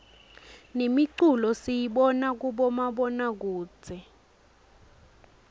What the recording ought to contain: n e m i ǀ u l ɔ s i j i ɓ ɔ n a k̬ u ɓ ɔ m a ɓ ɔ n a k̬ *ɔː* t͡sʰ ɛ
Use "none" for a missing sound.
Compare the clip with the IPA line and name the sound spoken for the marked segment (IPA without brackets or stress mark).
uː